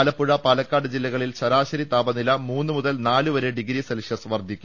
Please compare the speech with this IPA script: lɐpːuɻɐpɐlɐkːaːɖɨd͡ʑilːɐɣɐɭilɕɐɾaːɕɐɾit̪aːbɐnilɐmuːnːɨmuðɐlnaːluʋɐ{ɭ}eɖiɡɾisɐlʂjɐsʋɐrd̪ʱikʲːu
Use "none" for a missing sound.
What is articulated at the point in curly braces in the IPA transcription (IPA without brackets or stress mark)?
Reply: ɾ